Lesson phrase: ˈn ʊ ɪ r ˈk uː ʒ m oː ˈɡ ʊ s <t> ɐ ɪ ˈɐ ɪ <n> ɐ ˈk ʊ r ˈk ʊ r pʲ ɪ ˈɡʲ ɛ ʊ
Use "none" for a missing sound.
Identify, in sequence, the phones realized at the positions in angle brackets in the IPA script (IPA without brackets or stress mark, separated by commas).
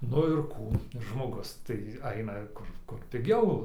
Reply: t, n